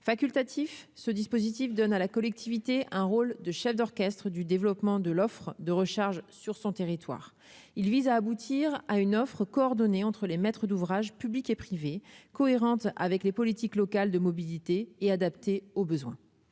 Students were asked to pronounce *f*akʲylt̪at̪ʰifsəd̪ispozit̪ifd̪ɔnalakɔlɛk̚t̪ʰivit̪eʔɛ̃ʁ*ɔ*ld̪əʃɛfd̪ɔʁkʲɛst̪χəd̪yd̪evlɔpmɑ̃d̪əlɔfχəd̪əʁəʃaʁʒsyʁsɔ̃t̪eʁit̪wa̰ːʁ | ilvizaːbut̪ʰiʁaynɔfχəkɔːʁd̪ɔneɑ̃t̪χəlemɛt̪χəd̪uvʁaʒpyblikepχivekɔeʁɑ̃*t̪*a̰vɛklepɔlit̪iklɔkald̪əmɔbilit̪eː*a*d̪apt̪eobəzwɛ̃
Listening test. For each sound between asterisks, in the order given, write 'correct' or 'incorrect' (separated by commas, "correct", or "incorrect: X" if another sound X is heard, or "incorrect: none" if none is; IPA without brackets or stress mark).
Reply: correct, incorrect: o, correct, correct